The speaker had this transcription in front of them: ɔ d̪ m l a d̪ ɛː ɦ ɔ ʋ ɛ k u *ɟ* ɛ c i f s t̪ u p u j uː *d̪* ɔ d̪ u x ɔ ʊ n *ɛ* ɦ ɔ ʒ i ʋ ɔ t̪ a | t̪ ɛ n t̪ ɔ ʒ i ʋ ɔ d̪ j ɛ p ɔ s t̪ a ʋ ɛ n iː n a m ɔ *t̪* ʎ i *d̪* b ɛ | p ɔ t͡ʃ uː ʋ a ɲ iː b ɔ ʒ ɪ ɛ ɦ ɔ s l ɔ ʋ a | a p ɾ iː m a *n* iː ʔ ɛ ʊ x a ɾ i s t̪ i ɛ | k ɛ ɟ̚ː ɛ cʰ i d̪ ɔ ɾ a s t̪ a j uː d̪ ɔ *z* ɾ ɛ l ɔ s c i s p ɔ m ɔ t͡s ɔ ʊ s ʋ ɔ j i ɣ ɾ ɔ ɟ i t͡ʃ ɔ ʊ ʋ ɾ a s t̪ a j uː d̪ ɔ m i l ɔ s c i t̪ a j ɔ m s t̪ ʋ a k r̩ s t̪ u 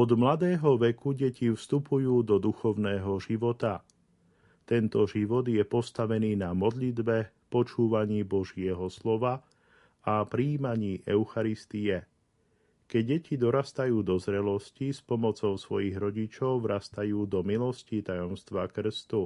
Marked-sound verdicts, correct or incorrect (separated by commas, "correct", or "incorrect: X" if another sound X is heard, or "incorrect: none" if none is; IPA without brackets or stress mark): correct, correct, incorrect: ɛː, incorrect: d̪, correct, incorrect: ɲ, correct